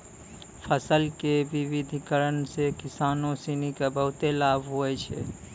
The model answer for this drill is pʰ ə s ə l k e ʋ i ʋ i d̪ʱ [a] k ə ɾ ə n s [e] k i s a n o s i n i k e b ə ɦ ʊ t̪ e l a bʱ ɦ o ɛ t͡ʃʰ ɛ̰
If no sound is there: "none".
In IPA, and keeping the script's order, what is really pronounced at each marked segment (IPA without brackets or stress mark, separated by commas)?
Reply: i, e